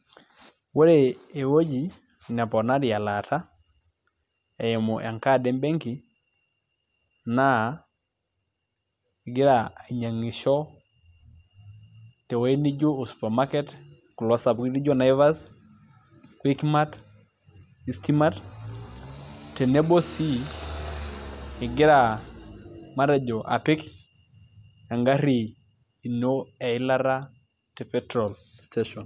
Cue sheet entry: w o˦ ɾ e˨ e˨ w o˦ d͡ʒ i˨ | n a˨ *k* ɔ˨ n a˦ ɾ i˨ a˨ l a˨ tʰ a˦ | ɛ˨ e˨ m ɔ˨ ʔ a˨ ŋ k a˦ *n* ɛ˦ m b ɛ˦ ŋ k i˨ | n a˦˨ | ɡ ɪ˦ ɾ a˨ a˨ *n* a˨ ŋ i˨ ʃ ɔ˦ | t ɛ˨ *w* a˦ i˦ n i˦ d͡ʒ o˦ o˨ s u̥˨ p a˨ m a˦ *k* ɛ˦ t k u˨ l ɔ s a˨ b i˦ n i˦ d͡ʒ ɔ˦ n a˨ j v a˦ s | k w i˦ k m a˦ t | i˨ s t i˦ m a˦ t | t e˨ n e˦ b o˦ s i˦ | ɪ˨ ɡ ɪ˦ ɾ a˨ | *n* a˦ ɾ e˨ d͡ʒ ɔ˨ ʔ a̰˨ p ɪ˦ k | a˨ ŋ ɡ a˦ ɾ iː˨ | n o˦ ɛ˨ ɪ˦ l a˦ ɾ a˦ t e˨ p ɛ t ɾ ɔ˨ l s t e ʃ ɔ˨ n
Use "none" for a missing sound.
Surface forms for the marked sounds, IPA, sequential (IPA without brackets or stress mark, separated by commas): p, d, ɲ, w, k, m